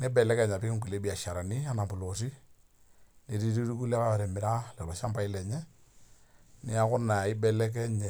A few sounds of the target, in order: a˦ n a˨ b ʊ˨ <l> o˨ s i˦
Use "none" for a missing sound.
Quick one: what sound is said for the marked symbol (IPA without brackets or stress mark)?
l